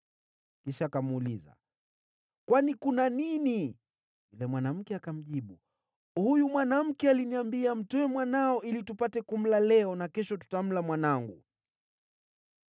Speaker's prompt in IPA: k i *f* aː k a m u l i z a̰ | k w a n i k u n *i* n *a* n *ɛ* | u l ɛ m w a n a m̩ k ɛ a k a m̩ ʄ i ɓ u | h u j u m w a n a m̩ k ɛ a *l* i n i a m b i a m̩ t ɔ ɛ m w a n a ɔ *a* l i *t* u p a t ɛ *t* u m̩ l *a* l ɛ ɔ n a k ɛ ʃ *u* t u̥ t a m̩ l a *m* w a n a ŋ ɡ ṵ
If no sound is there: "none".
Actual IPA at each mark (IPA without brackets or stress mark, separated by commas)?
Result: ʃ, a, i, i, l, i, t, k, a, ɔ, m